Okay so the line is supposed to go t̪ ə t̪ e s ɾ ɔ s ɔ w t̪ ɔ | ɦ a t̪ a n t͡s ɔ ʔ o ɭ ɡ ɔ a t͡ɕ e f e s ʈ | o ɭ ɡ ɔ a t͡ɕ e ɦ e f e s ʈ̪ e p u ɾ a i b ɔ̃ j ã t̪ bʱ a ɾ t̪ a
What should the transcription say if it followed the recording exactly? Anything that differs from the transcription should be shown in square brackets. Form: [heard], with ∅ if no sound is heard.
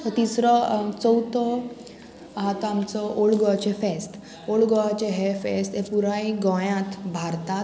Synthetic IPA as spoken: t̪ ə t̪ [i] s ɾ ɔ [t͡s] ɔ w t̪ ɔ | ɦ a t̪ a [m] t͡s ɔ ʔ o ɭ ɡ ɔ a t͡ɕ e f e s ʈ | o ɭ ɡ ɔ a t͡ɕ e ɦ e f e s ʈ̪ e p u ɾ a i [ɡ] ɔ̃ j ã t̪ bʱ a ɾ t̪ a